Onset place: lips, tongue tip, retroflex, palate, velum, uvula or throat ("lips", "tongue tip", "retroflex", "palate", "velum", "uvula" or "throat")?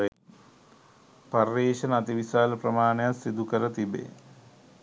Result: lips